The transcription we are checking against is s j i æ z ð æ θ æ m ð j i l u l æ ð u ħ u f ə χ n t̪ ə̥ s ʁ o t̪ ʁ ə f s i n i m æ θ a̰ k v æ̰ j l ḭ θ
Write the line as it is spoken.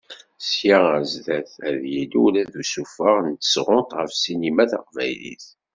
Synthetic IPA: s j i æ z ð æ θ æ ð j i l u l æ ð u s u f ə ʁ n t̪ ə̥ s ʁ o t̪ ʁ ə f s i n i m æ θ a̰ q v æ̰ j l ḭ θ